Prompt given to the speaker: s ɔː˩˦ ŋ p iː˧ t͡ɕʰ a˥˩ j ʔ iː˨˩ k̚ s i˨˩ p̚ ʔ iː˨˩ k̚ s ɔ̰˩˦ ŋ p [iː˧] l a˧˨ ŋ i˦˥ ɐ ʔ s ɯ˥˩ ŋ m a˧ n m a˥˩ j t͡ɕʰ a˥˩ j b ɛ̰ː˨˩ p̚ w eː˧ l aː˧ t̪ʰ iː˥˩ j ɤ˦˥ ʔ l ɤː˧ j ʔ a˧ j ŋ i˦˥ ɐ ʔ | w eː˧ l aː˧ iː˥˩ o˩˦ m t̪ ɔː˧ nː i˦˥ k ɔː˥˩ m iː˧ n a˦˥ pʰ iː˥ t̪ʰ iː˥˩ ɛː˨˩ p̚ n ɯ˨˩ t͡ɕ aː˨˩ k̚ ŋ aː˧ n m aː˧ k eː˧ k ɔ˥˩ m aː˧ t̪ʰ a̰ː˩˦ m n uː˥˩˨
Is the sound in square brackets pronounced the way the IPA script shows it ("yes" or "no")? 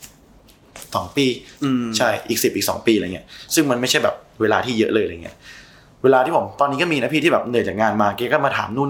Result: yes